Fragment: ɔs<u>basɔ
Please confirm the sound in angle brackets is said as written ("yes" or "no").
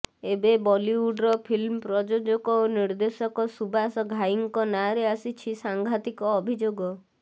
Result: yes